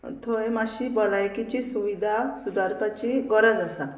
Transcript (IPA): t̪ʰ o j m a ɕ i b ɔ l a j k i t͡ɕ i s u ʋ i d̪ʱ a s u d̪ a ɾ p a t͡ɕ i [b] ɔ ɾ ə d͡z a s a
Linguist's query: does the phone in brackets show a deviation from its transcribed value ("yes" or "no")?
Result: yes